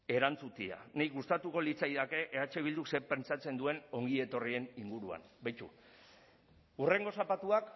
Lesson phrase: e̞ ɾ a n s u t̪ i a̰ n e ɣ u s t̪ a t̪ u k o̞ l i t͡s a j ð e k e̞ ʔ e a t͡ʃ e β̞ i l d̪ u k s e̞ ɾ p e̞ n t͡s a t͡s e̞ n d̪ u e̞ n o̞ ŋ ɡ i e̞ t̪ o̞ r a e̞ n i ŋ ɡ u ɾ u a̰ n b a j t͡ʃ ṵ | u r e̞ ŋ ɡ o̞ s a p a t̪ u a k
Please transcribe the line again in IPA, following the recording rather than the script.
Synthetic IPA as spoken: e̞ ɾ a n t͡s u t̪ i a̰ n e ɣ u s t̪ a t̪ u k o̞ l i t͡s a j ð a k e̞ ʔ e a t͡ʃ e β̞ i l d̪ u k s e̞ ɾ p e̞ n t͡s a t͡s e̞ n d̪ u e̞ n o̞ ŋ ɡ i e̞ t̪ o̞ r i e̞ n i ŋ ɡ u ɾ u a̰ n b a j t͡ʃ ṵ | u r e̞ ŋ ɡ o̞ s a p a t̪ u a k